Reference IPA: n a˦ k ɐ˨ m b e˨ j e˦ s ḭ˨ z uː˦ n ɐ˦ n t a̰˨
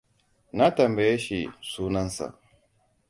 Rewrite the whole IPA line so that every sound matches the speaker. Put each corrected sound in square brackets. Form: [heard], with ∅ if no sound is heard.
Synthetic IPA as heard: n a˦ [t] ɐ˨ m b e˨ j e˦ [ʃ] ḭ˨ [s] uː˦ n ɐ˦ n [s] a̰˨